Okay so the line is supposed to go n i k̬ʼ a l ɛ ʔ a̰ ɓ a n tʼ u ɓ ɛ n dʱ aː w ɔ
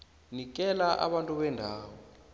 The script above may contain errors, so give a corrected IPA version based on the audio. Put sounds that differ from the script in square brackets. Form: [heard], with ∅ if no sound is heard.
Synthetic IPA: n i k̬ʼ [ɛ] l [a] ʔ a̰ ɓ a n tʼ u ɓ ɛ n dʱ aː w ɔ

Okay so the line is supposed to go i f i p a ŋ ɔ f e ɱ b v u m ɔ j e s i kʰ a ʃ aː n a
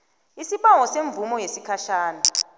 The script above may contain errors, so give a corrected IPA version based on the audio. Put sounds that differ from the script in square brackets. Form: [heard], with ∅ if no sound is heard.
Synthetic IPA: i [s] i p a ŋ ɔ [s] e ɱ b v u m ɔ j e s i kʰ a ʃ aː n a

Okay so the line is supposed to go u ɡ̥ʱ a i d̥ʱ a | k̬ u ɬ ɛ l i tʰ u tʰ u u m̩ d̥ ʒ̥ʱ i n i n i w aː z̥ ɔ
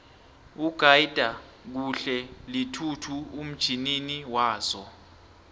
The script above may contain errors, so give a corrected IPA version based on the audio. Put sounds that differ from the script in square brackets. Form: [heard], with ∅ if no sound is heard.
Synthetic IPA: u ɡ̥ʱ a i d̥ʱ a | k̬ u ɬ ɛ l i tʰ u tʰ u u m̩ d̥ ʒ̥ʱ i n i n i w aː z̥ ɔ

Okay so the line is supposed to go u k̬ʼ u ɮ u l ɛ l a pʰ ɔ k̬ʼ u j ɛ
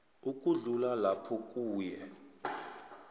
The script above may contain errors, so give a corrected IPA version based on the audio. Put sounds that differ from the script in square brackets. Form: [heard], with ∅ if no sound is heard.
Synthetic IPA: u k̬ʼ u ɮ u l [a] l a pʰ ɔ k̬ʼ [uː] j ɛ

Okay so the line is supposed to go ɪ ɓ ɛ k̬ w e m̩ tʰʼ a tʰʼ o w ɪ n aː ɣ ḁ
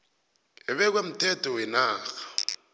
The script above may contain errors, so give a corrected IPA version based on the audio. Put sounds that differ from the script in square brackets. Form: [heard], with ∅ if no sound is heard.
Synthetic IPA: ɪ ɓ ɛ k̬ w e m̩ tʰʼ [ɛ] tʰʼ [ɔ] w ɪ n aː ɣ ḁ

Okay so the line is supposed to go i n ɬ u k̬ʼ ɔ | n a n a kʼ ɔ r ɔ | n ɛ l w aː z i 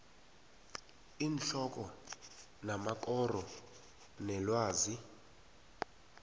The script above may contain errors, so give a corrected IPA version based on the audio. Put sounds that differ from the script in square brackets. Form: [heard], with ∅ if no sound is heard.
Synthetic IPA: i n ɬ [ɔ] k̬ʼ ɔ | n a [m] a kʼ ɔ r ɔ | n ɛ l w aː z i

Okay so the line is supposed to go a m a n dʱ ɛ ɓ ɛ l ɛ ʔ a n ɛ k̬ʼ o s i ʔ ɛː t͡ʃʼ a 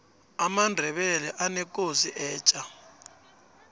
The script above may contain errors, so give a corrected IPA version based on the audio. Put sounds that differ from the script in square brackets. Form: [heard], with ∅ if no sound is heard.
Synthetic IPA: a m a n dʱ ɛ ɓ ɛ l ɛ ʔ a n ɛ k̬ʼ o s i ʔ ɛː t͡ʃʼ a

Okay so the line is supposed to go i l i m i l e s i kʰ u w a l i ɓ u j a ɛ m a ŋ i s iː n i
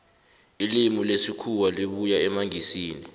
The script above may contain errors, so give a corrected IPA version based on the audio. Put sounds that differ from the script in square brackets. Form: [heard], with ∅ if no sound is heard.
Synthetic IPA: i l i m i l e s i kʰ u w a l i ɓ u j a ɛ m a ŋ i s iː n i

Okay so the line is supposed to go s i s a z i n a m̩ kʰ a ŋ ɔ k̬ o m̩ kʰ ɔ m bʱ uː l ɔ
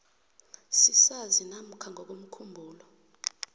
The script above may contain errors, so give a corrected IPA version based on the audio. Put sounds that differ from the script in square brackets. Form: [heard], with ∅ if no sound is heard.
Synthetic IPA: s i s a z i n a m̩ kʰ a ŋ ɔ k̬ o m̩ kʰ [u] m bʱ uː l ɔ

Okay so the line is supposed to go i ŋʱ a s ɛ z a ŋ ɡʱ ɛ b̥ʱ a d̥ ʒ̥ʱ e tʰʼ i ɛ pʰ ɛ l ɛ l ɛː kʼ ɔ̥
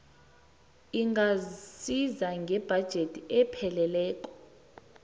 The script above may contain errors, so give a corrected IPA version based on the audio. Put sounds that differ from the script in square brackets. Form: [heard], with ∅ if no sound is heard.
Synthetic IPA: i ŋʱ a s [i] z a ŋ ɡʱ ɛ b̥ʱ a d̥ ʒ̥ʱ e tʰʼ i ɛ pʰ ɛ l ɛ l ɛː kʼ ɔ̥

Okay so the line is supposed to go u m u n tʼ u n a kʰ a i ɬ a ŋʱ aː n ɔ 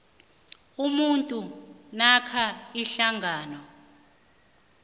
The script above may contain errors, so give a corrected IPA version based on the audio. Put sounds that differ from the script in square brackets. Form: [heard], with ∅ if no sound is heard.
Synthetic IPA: u m u n tʼ u n a kʰ a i ɬ a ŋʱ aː n ɔ

